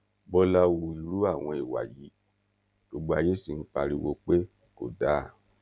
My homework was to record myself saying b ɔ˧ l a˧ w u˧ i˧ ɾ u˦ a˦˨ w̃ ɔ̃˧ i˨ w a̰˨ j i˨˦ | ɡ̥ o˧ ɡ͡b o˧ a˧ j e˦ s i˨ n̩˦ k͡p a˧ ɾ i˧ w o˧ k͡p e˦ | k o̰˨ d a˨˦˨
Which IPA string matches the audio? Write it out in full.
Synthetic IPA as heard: b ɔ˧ l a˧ w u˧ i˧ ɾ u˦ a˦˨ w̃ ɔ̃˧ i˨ w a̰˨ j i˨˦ | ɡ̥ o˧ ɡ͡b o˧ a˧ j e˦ s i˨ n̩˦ k͡p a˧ ɾ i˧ w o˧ k͡p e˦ | k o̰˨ d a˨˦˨